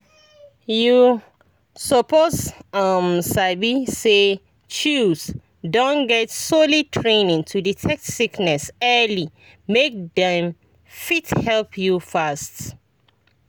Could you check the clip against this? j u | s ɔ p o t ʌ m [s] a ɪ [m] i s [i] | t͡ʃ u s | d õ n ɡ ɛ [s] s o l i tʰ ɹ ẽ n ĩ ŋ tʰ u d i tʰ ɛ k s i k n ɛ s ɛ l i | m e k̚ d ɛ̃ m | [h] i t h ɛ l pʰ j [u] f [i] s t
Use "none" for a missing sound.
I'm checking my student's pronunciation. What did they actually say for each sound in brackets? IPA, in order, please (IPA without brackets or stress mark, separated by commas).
s, b, e, t, f, u, a